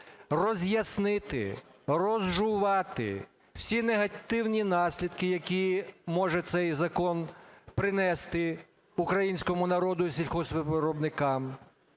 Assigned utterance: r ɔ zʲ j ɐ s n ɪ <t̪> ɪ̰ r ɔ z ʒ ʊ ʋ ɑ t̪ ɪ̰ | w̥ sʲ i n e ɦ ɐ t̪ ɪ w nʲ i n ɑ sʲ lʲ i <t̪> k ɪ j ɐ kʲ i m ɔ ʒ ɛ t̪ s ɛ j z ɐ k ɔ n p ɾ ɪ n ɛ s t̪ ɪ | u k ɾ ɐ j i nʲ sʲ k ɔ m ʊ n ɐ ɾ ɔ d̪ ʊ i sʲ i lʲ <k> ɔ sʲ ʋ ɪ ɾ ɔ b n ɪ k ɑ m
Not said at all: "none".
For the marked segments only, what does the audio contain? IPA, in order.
t̪, d̪, x

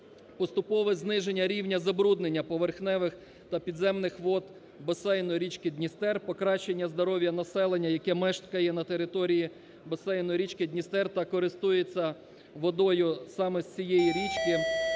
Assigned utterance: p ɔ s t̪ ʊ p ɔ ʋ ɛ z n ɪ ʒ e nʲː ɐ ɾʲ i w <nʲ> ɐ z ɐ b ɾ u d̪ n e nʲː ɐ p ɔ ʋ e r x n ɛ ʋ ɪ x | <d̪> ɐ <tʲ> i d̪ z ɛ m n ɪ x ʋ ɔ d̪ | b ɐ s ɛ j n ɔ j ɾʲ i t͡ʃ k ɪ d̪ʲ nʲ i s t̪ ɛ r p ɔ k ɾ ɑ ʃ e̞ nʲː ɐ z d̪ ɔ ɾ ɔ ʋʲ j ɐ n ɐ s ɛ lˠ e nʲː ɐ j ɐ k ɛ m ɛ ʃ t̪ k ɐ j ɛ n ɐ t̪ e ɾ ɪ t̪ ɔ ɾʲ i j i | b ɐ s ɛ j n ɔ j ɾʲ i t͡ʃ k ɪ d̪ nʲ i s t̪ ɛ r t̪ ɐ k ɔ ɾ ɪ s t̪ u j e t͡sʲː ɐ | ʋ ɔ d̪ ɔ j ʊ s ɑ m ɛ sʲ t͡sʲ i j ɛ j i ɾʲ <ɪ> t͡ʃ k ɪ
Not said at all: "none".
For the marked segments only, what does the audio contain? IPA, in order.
nʲ, t̪, pʲ, i

